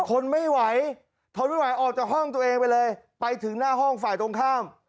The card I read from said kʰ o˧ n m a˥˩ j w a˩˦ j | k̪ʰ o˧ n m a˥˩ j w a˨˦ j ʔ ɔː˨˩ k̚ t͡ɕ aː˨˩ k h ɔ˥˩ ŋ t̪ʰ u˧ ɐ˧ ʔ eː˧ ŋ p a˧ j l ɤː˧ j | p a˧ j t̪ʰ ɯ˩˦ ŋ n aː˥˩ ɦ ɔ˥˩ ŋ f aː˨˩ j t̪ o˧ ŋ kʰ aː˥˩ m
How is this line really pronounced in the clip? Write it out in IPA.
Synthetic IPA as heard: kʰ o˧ n m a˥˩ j w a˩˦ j | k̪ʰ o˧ n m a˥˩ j w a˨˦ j ʔ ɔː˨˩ k̚ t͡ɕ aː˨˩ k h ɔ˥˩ ŋ t̪ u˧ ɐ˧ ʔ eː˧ ŋ p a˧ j l ɤː˧ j | p a˧ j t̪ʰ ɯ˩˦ ŋ n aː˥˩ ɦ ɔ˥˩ ŋ f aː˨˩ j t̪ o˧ ŋ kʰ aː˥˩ m